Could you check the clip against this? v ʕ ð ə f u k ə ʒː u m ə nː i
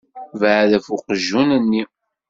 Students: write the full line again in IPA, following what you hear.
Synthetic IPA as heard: v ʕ ð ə f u q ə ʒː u n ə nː i